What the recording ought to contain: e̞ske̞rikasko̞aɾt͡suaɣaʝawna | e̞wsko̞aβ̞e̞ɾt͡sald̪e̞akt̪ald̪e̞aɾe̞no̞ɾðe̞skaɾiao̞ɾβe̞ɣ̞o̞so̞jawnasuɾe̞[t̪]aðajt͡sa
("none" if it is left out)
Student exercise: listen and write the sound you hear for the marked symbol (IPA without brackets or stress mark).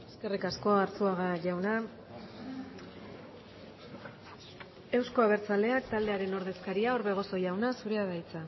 none